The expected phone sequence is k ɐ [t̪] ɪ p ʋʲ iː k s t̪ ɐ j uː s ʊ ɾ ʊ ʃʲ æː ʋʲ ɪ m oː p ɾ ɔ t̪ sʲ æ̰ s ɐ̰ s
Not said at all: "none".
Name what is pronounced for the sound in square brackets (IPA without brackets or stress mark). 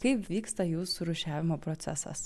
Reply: none